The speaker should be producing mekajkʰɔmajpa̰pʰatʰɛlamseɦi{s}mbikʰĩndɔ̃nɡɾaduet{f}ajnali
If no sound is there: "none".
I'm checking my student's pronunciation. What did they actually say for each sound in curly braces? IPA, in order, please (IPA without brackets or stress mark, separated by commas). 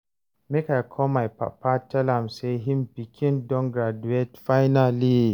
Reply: none, f